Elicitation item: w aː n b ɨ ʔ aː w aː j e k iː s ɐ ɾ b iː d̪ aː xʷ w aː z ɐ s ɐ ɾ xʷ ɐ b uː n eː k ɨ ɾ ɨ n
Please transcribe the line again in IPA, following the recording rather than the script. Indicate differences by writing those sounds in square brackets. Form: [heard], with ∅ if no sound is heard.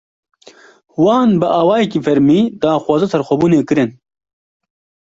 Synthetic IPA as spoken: w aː n b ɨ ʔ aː w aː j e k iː [f] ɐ ɾ [m] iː d̪ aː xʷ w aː z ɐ s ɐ ɾ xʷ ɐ b uː n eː k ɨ ɾ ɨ n